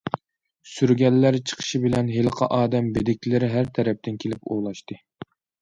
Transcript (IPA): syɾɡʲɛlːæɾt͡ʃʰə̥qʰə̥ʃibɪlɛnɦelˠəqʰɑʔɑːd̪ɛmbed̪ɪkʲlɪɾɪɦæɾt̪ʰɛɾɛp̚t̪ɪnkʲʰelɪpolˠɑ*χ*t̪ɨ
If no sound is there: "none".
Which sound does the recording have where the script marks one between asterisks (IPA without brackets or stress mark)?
ʃ